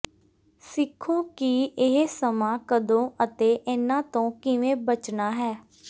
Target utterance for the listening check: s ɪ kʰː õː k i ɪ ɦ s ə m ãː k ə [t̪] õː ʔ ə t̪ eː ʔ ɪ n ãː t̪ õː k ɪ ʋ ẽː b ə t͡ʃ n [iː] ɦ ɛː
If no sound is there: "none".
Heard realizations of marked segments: d̪, aː

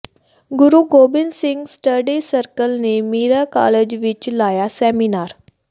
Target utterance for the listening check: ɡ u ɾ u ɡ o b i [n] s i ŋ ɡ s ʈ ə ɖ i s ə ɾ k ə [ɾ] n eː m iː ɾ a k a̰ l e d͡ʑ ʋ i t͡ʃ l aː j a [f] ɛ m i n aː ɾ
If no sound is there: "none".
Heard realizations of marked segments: n, l, s

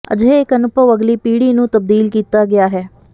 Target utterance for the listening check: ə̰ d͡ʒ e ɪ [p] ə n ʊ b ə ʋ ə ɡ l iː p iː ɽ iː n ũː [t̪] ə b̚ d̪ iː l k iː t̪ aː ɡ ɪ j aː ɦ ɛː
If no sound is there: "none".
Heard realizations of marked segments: k, t̪

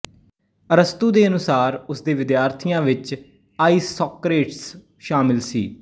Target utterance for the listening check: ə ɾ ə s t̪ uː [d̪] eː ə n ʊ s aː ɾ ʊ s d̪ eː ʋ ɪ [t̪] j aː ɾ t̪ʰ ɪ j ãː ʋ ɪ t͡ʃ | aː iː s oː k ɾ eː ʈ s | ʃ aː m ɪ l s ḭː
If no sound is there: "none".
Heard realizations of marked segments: d̪, d̪

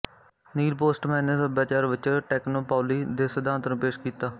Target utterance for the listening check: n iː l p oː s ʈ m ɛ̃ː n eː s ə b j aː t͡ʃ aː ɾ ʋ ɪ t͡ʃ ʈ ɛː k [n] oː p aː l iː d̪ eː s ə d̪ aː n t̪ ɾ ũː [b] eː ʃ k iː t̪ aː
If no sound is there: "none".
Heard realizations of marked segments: n, p

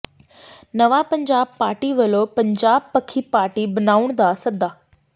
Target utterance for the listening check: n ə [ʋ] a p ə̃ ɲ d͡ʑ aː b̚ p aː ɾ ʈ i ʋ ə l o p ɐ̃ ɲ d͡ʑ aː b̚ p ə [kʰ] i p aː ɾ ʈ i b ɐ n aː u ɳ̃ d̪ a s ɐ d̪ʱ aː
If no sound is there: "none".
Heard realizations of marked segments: ʋ, kʰ

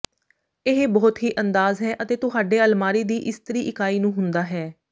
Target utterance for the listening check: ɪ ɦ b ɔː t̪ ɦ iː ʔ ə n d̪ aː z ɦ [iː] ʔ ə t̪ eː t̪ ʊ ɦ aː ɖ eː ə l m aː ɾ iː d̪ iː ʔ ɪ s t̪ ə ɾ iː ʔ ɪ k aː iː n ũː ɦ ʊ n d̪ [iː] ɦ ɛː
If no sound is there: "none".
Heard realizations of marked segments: ɛː, aː

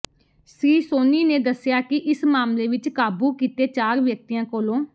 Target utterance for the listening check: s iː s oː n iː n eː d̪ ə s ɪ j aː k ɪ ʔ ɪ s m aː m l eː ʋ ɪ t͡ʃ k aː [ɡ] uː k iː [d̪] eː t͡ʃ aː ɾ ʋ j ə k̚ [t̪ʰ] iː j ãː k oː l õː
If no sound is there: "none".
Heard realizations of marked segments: b, t̪, t̪

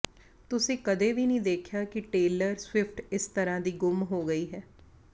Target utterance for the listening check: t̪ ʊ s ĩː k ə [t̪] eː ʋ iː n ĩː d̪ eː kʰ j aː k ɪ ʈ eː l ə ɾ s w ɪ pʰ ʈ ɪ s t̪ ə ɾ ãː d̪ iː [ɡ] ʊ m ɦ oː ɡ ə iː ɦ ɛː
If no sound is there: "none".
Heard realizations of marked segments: d̪, ɡ

